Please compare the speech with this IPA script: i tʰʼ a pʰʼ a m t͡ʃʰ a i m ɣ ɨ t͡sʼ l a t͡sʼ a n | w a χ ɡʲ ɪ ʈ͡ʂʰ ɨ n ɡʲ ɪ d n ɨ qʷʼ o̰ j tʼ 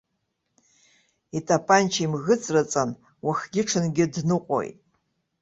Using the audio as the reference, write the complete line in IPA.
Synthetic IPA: i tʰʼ a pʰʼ a n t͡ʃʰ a i m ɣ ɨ t͡sʼ r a t͡sʼ a n | w a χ ɡʲ ɪ ʈ͡ʂʰ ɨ n ɡʲ ɪ d n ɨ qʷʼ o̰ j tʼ

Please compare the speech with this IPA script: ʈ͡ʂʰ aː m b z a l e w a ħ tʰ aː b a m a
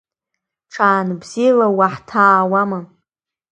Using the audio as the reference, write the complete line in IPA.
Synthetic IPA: ʈ͡ʂʰ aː n b z i l a w a ħ tʰ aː w a m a

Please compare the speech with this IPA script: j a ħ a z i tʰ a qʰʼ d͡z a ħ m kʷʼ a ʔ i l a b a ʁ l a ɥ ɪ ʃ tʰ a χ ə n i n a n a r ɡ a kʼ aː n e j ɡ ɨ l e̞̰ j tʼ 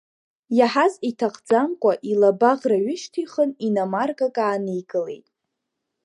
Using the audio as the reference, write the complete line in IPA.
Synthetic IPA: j a ħ a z i tʰ a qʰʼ d͡z a m kʷʼ a ʔ i l a b a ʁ r a ɥ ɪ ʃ tʰ i χ ə n i n a m a r ɡ a kʼ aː n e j ɡ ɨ l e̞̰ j tʼ

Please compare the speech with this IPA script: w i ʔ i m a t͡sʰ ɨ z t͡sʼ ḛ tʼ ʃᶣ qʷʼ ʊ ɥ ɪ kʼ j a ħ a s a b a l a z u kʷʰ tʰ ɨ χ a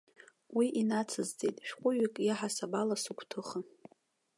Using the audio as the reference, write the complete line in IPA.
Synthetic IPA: w i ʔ i n a t͡sʰ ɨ z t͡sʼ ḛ tʼ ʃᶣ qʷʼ ʊ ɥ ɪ kʼ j a ħ a s a b a l a s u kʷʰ tʰ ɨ χ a

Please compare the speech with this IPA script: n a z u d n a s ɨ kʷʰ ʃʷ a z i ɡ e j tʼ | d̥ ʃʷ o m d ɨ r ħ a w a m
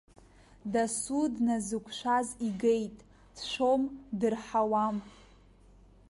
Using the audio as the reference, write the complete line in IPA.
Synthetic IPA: d a s u d n a z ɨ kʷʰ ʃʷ a z i ɡ e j tʼ | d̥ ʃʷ o m d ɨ r ħ a w a m

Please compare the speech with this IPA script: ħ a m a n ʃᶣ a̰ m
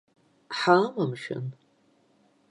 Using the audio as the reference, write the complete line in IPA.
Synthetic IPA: ħ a m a m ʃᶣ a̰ n

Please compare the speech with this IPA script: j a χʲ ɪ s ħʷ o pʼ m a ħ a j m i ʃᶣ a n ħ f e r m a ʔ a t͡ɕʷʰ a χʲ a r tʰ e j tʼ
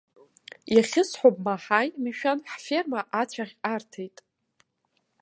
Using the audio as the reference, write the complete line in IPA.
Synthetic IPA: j a χʲ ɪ s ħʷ o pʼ m a ħ a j m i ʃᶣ a n ħ f e r m a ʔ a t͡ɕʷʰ a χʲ a r tʰ e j tʼ

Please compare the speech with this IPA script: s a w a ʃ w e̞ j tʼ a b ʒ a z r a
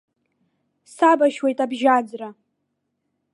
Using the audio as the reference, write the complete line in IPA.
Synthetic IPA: s a b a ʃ w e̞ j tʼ a b ʒ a d͡z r a

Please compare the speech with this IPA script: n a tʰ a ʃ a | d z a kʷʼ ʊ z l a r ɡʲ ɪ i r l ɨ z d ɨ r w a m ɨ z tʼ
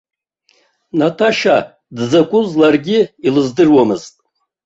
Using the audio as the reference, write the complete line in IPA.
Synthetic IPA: n a tʰ a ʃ a | d z a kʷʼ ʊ z l a r ɡʲ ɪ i l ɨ z d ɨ r w a m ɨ z tʼ

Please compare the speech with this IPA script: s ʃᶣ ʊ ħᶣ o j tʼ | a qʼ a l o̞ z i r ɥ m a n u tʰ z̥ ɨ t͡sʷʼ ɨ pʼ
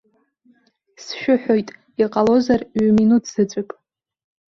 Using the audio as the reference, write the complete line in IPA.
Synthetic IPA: s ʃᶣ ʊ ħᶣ o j tʼ | i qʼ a l o̞ z a r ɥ m i n u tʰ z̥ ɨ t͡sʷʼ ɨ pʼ

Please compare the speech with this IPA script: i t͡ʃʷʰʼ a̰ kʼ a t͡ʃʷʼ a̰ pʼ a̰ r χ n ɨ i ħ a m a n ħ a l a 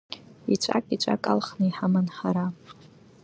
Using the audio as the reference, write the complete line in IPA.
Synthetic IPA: i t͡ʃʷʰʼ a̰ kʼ i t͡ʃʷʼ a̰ kʼ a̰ l χ n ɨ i ħ a m a n ħ a ɾ a

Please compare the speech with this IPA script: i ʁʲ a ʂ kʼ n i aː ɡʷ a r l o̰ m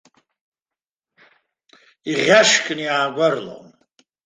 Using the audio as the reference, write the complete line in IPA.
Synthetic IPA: i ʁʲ a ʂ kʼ n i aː ɡʷ a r l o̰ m

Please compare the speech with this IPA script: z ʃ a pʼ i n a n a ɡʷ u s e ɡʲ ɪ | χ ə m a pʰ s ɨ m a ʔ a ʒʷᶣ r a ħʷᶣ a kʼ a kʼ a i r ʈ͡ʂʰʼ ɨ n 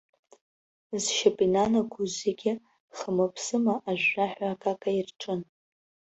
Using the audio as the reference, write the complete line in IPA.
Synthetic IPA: z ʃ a pʼ i n a n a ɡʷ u z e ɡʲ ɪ | χ ə m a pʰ s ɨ m a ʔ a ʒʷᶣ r a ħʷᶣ a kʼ a kʼ a i r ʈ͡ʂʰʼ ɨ n

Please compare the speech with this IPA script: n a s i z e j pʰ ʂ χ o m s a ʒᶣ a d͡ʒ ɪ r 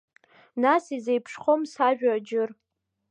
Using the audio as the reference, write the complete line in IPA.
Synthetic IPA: n a s i z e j pʰ ʂ χ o m s a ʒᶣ a d͡ʒ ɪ r

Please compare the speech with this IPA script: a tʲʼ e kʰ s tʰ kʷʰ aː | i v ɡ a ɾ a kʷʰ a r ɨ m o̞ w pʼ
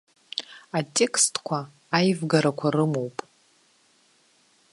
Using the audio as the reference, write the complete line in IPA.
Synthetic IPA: a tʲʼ e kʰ s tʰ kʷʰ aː | j v ɡ a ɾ a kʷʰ a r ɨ m o̞ w pʼ

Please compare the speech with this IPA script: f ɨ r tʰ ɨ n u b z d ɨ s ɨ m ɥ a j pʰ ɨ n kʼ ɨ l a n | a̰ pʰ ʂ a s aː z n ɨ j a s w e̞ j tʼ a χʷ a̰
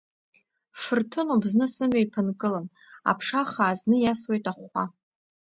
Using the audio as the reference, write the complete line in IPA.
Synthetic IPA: f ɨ r tʰ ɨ n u b z n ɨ s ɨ m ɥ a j pʰ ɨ n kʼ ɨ l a n | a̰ pʰ ʂ a χ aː z n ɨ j a s w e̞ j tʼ a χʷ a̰

